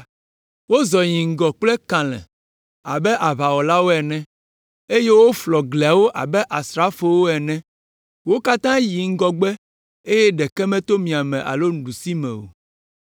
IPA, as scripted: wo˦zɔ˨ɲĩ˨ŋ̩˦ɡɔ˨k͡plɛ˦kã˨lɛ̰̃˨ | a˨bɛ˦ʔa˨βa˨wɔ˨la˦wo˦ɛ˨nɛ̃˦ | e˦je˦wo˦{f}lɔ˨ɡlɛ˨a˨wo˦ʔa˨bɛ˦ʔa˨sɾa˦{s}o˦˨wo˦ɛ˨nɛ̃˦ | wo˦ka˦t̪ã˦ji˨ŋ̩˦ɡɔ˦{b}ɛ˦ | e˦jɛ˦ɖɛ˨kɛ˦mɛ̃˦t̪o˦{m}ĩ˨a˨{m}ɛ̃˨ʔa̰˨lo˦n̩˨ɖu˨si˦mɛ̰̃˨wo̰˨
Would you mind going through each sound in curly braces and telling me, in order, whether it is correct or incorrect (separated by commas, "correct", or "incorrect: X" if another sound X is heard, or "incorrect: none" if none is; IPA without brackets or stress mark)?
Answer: correct, incorrect: f, incorrect: ɡ͡b, correct, correct